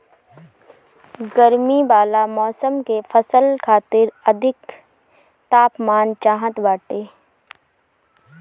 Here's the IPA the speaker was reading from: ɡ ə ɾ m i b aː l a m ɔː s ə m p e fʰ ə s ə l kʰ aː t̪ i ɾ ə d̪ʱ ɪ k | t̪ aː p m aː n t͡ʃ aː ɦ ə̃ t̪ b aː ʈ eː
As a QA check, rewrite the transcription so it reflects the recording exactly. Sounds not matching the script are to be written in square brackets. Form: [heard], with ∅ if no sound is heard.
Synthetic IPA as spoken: ɡ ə ɾ m i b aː l a m ɔː s ə m [k] e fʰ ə s ə l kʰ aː t̪ [ɪ] ɾ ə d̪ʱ ɪ k | t̪ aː p m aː n t͡ʃ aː ɦ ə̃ t̪ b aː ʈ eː